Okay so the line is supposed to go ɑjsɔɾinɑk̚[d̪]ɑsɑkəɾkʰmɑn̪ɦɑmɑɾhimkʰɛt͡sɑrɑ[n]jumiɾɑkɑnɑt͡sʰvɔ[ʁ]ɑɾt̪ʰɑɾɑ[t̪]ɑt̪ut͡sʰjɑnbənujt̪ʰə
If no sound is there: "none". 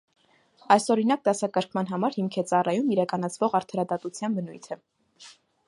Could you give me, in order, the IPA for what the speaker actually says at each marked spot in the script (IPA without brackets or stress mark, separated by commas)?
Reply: d̪, none, ʁ, d̪